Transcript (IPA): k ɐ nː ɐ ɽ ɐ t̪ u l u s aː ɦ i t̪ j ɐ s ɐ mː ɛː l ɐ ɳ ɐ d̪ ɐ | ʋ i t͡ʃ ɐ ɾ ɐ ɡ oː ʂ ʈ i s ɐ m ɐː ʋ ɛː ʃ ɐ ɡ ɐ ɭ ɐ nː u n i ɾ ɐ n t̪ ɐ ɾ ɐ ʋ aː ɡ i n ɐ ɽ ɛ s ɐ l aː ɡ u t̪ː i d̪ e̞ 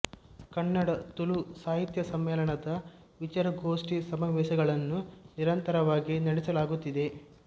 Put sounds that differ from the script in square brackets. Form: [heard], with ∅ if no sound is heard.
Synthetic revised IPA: k ɐ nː ɐ ɽ ɐ t̪ u l u s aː ɦ i t̪ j ɐ s ɐ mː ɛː l ɐ ɳ ɐ d̪ ɐ | ʋ i t͡ʃ ɐ ɾ ɐ ɡ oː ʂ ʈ i s ɐ m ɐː ʋ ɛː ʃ ɐ ɡ ɐ ɭ ɐ nː u n i ɾ ɐ n t̪ ɐ ɾ ɐ ʋ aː ɡ i n ɐ ɽ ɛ s ɐ l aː ɡ u t̪ː i d̪ e̞